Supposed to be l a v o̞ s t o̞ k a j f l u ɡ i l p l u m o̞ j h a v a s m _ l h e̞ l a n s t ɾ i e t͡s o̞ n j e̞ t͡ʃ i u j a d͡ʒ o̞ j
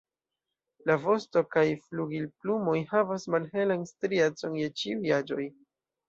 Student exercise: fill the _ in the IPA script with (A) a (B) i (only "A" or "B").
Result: A